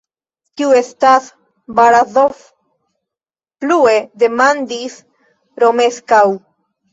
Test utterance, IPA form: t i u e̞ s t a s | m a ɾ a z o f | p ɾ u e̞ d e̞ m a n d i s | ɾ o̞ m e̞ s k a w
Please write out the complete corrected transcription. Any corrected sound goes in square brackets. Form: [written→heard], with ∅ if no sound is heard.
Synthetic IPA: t i u e̞ s t a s | [m→b] a ɾ a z o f | p [ɾ→l] u e̞ d e̞ m a n d i s | ɾ o̞ m e̞ s k a w